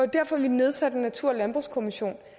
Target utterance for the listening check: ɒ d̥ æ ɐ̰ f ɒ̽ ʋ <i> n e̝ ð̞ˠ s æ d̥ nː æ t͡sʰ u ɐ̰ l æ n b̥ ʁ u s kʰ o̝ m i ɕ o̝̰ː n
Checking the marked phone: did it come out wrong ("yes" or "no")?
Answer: no